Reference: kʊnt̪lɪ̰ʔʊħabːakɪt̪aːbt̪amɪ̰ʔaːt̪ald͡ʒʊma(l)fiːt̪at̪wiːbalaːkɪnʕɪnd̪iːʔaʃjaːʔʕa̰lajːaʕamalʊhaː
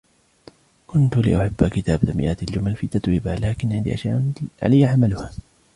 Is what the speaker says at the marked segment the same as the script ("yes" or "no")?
yes